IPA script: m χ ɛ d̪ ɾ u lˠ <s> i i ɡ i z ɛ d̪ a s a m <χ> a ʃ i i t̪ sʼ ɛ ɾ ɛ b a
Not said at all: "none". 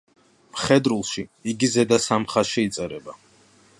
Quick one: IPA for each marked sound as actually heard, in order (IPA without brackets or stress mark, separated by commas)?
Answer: ʃ, χ